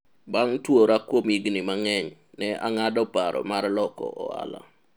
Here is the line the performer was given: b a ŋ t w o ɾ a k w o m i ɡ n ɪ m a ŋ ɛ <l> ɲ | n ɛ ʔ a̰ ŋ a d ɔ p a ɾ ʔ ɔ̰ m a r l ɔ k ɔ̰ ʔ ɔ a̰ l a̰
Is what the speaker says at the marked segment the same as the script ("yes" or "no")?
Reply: no